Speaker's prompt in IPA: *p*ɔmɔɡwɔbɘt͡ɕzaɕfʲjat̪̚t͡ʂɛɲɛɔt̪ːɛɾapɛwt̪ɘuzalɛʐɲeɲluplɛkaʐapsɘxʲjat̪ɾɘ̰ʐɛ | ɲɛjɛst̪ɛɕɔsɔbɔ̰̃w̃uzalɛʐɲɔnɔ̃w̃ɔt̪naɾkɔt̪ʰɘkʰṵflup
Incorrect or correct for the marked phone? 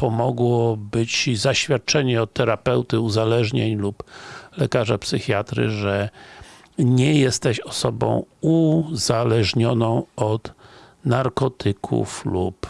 correct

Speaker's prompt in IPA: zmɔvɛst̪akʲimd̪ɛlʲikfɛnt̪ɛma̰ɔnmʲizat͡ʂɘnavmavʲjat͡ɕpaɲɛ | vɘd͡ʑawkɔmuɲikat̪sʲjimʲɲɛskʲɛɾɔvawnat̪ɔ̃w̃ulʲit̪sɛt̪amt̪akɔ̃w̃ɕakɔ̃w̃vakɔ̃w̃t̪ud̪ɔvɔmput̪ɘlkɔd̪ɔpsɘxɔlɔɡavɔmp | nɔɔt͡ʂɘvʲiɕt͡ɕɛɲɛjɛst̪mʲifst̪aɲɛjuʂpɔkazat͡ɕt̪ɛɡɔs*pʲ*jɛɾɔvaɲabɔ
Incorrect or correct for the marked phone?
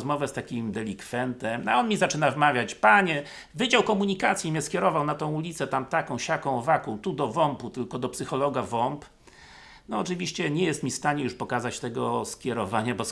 incorrect: kʲ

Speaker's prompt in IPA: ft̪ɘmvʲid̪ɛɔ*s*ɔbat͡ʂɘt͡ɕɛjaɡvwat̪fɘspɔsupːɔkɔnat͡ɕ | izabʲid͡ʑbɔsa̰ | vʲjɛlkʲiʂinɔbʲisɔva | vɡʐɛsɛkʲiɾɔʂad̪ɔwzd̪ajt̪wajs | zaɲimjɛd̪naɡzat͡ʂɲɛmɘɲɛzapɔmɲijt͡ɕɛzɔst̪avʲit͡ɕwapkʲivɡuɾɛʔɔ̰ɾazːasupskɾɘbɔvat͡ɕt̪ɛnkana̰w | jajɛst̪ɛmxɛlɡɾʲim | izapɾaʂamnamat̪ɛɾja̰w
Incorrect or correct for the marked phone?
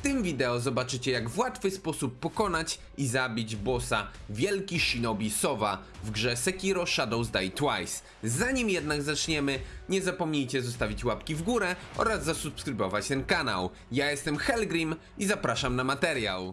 incorrect: z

